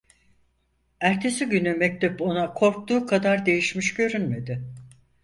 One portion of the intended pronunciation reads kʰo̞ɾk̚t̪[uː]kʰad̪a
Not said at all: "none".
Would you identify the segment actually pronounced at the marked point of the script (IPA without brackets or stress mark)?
uː